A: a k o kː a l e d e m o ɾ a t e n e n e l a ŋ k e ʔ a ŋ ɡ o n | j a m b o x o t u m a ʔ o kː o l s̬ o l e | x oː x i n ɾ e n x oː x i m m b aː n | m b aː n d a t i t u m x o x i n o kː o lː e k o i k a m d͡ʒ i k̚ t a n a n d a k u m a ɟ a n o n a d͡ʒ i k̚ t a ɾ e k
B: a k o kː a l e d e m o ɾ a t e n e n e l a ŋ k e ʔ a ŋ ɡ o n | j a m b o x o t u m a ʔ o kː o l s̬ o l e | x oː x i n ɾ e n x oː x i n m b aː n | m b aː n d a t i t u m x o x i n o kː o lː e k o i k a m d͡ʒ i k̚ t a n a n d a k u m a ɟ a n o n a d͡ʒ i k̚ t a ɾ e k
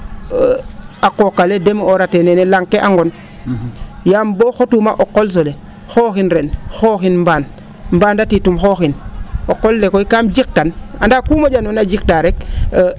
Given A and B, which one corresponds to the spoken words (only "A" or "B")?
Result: B